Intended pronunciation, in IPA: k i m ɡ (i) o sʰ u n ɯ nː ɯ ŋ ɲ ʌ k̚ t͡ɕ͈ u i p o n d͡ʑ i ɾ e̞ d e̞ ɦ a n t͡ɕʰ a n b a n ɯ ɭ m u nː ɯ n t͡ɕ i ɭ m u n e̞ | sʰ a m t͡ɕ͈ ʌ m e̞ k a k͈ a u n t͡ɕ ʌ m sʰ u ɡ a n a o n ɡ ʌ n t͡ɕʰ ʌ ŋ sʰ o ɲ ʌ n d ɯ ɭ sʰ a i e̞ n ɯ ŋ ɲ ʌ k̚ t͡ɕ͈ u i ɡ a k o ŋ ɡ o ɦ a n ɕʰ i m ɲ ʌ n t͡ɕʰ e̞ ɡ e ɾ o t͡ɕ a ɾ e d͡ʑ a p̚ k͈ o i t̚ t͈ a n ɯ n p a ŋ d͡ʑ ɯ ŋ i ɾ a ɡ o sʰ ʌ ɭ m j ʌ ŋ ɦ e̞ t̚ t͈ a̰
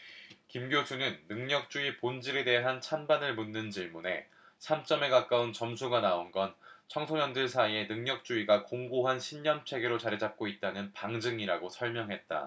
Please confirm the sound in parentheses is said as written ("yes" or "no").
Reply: no